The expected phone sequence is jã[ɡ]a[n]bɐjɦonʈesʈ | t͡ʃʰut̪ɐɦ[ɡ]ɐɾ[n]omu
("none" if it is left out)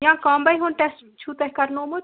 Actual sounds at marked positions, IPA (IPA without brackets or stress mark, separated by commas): k, m, k, n